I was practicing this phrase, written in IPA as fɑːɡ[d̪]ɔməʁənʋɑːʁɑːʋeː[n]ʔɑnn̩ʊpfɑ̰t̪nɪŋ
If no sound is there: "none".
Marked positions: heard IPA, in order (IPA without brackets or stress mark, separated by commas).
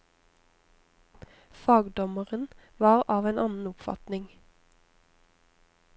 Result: d̪, n